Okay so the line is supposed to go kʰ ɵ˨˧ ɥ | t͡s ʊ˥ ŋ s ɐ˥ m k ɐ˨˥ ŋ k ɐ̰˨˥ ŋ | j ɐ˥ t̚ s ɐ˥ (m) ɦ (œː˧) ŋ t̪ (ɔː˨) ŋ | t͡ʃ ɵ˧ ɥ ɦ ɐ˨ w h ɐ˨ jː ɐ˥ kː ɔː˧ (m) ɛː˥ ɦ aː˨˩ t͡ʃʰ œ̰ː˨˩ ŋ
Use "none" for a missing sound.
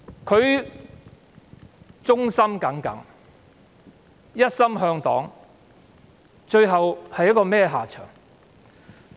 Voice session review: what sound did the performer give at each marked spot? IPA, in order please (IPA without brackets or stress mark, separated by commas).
m, œː˧, ɔː˨˥, m